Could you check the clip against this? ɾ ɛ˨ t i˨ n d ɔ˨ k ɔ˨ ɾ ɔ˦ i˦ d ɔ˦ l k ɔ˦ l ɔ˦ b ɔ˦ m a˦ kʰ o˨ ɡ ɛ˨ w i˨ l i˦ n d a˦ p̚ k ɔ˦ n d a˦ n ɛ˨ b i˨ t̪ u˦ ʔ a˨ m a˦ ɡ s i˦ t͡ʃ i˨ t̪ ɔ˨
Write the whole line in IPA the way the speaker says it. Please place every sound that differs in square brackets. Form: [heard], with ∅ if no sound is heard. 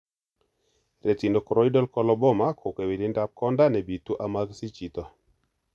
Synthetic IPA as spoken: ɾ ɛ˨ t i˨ n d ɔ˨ k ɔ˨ ɾ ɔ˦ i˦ d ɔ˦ l k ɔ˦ l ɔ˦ b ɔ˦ m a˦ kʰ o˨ [k] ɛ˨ w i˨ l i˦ n d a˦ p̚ k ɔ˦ n d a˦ n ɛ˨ b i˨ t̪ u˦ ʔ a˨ m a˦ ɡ s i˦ t͡ʃ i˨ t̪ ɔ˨

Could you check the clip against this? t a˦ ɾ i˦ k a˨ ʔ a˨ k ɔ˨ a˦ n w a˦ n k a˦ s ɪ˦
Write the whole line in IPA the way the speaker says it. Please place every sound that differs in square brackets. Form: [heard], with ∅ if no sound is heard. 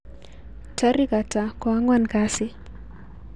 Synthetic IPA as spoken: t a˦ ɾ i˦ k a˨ [t] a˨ k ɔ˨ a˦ [ŋ] w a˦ n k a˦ s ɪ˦

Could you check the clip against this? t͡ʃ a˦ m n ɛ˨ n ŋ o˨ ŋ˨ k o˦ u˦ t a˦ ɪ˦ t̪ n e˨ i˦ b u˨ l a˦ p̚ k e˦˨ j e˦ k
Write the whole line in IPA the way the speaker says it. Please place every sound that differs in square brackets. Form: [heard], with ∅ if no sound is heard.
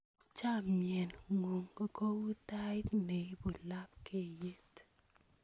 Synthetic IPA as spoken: t͡ʃ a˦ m [ɲ] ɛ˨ n ŋ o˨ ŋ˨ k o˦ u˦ t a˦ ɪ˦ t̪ n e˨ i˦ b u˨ l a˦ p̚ k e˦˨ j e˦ [t]

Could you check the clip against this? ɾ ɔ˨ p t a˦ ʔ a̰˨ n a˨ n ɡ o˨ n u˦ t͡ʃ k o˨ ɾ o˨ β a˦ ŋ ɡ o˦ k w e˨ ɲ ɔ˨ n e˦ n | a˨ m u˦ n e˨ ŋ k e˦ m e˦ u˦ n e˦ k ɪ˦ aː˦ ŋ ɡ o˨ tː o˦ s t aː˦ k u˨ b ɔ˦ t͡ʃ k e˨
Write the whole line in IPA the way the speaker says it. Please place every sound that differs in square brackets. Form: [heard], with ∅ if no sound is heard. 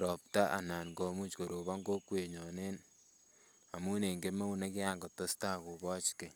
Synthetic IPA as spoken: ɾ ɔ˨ p t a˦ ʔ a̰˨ n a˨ n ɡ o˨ [m] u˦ t͡ʃ k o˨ ɾ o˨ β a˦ ŋ ɡ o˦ k w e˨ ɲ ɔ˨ n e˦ n | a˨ m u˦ n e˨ ŋ [ɡ] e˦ m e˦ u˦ n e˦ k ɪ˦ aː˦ ŋ ɡ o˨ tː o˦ s t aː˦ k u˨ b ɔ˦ t͡ʃ k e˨

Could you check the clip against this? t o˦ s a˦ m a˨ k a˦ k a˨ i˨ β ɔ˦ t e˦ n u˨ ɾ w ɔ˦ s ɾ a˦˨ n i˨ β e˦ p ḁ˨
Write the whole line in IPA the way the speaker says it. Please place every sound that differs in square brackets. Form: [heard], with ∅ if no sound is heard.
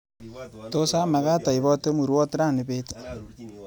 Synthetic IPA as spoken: t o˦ s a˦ m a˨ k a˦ [t] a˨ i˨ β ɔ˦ t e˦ [m] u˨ ɾ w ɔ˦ [t] ɾ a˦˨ n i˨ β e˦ [t] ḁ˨

